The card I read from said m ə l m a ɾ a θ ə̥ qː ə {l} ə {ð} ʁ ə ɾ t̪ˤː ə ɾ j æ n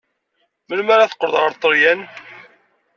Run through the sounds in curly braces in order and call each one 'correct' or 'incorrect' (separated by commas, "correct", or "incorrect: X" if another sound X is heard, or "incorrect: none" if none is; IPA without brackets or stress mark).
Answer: incorrect: ɾ, correct